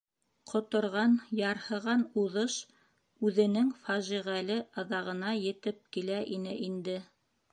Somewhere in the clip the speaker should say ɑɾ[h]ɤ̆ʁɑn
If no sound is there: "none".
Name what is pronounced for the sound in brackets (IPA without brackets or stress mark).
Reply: h